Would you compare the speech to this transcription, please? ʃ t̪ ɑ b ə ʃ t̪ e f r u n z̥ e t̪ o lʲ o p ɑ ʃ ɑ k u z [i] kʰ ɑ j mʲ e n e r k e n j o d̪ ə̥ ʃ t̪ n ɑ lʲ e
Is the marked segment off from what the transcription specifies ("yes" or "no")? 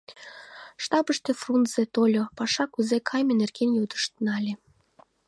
yes